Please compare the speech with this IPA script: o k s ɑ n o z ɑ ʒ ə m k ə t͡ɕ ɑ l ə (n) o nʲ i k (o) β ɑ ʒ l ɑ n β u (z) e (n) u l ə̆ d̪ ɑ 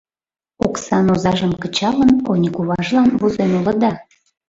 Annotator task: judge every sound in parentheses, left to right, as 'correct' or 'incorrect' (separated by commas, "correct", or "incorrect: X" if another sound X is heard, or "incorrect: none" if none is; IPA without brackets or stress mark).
correct, incorrect: u, correct, correct